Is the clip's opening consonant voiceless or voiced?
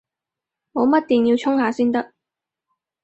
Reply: voiced